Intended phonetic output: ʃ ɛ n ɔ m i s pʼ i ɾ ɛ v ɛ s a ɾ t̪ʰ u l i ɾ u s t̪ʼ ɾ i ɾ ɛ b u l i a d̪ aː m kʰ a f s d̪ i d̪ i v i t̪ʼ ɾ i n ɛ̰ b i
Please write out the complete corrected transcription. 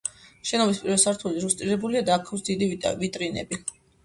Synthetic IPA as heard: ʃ ɛ n ɔ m i s pʼ i ɾ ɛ v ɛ s a ɾ t̪ʰ u l i ɾ u s t̪ʼ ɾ i ɾ ɛ b u l i a d̪ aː kʰ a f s d̪ i d̪ i v i t̪ʼ ɾ i n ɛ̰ b i